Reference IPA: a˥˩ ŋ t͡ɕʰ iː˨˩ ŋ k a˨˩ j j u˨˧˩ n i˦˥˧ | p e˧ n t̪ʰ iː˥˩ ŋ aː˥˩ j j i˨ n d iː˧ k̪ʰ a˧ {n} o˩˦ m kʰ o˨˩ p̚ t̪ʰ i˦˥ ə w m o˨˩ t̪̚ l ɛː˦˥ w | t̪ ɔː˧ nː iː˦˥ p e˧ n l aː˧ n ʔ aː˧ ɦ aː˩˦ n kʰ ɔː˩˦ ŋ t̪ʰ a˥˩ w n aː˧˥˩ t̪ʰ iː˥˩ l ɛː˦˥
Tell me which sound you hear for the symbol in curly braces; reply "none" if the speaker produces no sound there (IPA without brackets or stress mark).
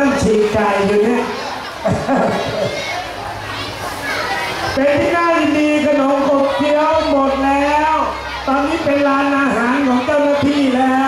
n